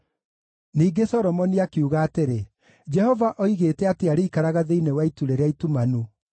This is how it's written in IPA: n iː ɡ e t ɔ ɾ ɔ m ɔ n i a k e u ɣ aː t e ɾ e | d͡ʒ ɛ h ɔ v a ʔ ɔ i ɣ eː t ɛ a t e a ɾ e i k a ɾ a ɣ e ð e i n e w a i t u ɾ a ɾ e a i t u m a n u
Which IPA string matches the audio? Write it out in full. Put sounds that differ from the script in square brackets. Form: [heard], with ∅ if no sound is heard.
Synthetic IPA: n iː ɡ e [s] ɔ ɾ ɔ m ɔ n i a k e u ɣ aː t e ɾ e | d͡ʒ ɛ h ɔ v a ʔ ɔ i ɣ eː t ɛ a t e a ɾ e i k a ɾ a ɣ [a] ð e i n e w a i t u ɾ [e] ɾ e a i t u m a n u